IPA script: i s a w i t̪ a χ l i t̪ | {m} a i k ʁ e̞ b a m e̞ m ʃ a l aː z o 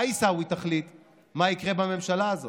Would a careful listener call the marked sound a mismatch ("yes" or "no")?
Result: no